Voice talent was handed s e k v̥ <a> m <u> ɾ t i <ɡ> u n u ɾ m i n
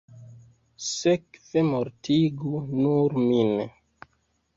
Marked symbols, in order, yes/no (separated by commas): no, no, yes